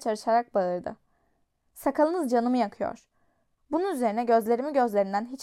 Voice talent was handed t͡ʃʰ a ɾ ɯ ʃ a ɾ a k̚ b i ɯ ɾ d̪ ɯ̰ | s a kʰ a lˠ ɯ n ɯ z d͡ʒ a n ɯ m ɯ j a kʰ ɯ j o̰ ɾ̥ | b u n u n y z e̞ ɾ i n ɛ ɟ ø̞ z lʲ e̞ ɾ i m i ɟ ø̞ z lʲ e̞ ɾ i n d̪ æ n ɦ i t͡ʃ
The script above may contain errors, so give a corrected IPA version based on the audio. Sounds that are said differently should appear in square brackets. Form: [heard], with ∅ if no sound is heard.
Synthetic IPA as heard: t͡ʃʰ a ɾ ɯ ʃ a ɾ a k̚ b [a] ɯ ɾ d̪ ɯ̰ | s a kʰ a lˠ ɯ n ɯ z d͡ʒ a n ɯ m ɯ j a kʰ ɯ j o̰ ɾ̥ | b u n u n y z e̞ ɾ i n ɛ ɟ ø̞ z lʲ e̞ ɾ i m i ɟ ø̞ z lʲ e̞ ɾ i n d̪ æ n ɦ i t͡ʃ